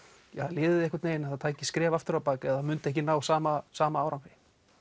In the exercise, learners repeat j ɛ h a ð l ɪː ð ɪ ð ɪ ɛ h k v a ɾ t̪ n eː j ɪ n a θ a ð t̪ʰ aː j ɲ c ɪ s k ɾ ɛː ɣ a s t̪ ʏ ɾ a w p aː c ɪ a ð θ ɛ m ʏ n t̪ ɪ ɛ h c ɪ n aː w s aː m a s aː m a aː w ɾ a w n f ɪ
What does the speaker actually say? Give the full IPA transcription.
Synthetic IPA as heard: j ɛ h a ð l ɪː ð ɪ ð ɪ ɛ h k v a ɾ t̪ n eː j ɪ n a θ a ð t̪ʰ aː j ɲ c ɪ s k ɾ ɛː v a f t̪ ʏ ɾ a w p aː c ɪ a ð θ a m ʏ n t̪ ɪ ɛ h c ɪ n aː w s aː m a s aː m a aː w ɾ a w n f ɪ